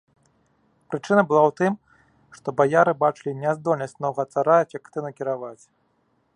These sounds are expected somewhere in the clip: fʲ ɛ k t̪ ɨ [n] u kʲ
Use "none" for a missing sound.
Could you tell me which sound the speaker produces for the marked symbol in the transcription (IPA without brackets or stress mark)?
n